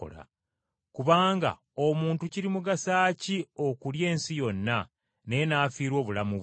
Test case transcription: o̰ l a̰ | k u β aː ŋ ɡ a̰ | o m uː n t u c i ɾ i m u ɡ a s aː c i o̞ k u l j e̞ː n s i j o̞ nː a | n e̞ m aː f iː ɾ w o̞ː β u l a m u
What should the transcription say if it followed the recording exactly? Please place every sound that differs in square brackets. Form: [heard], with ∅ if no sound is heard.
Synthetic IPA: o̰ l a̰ | k u β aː ŋ ɡ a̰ | o m uː n t u c i ɾ i m u ɡ a s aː c i o̞ k u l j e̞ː n s i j o̞ nː a | n e̞ [n] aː f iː ɾ w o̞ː β u l a m u